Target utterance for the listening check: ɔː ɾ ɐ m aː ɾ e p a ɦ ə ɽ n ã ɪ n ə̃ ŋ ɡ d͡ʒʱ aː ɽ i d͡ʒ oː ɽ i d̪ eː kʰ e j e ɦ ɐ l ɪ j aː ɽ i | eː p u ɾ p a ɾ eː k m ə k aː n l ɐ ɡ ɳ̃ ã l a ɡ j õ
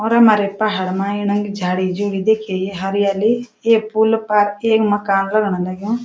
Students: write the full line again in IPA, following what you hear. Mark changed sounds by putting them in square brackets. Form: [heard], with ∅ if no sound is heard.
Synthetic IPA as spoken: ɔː ɾ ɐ m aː ɾ e p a ɦ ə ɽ [m] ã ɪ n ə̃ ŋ ɡ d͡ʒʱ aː ɽ i d͡ʒ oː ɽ i d̪ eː kʰ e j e ɦ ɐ [ɾ] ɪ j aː [l] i | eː p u [l] p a ɾ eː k m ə k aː n l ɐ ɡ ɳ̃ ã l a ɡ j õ